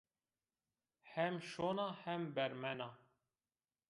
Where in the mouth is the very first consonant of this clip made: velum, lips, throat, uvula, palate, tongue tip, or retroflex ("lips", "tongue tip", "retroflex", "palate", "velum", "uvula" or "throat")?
throat